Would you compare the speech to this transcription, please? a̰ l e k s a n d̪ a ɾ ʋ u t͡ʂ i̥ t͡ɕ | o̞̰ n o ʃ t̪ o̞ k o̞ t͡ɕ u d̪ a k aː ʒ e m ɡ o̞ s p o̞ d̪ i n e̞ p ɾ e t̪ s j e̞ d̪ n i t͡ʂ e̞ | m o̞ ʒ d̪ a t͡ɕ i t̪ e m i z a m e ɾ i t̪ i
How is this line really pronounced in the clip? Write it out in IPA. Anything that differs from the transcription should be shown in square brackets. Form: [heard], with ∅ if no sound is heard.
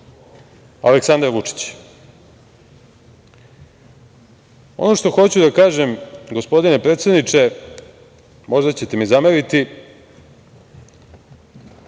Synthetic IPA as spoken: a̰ l e k s a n d̪ a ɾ ʋ u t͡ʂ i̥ t͡ɕ | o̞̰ n o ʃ t̪ o̞ [x] o̞ t͡ɕ u d̪ a k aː ʒ e m ɡ o̞ s p o̞ d̪ i n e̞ p ɾ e t̪ s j e̞ d̪ n i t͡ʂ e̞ | m o̞ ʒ d̪ a t͡ɕ [e] t̪ e m i z a m e ɾ i t̪ i

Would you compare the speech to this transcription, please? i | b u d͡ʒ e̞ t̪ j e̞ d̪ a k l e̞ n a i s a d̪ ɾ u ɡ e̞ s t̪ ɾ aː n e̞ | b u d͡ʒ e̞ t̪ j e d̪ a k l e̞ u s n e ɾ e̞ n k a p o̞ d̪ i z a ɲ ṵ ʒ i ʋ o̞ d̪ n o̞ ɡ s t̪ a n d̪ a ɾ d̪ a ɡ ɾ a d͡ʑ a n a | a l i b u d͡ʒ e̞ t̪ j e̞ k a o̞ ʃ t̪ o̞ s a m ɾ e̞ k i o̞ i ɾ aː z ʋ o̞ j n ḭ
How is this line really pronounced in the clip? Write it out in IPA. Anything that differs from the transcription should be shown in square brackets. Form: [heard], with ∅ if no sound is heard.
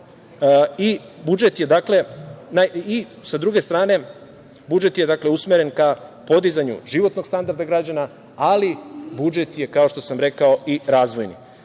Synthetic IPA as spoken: i | b u d͡ʒ e̞ t̪ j e̞ d̪ a k l e̞ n a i s a d̪ ɾ u ɡ e̞ s t̪ ɾ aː n e̞ | b u d͡ʒ e̞ t̪ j e d̪ a k l e̞ u s [m] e ɾ e̞ n k a p o̞ d̪ i z a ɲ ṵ ʒ i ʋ o̞ [t̪] n o̞ ɡ s t̪ a n d̪ a ɾ d̪ a ɡ ɾ a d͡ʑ a n a | a l i b u d͡ʒ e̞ t̪ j e̞ k a o̞ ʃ t̪ o̞ s a m ɾ e̞ k [a] o̞ i ɾ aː z ʋ o̞ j n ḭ

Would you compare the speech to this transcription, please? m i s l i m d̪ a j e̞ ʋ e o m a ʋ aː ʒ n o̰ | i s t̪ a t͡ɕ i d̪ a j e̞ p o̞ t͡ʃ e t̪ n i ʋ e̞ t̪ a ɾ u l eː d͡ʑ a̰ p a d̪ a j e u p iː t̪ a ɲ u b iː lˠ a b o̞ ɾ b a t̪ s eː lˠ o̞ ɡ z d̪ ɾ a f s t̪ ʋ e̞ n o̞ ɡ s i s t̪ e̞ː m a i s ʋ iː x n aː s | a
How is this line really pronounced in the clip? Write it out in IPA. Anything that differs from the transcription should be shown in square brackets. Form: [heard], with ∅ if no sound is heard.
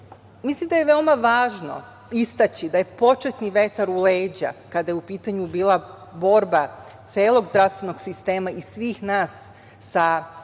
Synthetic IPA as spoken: m i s l i m d̪ a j e̞ ʋ e o m a ʋ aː ʒ n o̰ | i s t̪ a t͡ɕ i d̪ a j e̞ p o̞ t͡ʃ e t̪ n i ʋ e̞ t̪ a ɾ u l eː d͡ʑ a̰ [k] a d̪ a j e u p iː t̪ a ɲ u b iː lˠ a b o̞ ɾ b a t̪ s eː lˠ o̞ ɡ z d̪ ɾ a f s t̪ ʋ e̞ n o̞ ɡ s i s t̪ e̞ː m a i s ʋ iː x n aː [sː] | a

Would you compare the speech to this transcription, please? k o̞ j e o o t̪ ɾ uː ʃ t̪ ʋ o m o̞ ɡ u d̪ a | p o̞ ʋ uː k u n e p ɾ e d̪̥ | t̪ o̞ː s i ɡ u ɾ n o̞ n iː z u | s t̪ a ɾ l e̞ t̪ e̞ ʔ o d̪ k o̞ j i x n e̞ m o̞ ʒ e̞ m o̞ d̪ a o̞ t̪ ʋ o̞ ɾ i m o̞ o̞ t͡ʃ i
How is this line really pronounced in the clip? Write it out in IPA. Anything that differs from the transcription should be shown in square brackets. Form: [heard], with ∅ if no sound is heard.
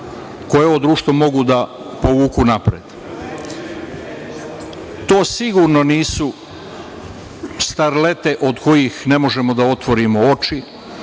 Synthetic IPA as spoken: k o̞ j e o o [d̪] ɾ uː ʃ t̪ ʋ o m o̞ ɡ u d̪ a | p o̞ ʋ uː k u n [a] p ɾ e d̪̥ | t̪ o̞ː s i ɡ u ɾ n o̞ n iː [s] u | s t̪ a ɾ l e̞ t̪ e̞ ʔ o d̪ k o̞ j i x n e̞ m o̞ ʒ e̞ m o̞ d̪ a o̞ t̪ ʋ o̞ ɾ i m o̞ o̞ t͡ʃ i

